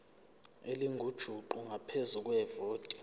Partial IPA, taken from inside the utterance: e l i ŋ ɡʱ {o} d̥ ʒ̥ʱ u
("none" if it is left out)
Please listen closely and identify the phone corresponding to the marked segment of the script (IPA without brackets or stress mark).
u